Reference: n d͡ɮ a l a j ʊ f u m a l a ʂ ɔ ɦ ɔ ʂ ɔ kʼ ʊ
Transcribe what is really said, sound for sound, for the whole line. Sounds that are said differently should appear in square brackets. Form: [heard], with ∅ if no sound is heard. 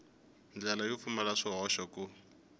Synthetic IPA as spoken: n d͡ɮ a l a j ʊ f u m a l a ʂ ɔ ɦ ɔ [ʃ] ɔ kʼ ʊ